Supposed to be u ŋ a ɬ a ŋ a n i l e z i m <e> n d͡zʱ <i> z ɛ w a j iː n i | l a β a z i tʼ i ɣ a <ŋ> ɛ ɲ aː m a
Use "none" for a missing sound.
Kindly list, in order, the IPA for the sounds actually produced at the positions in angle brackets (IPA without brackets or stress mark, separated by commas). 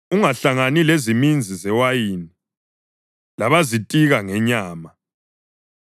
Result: i, i, ŋ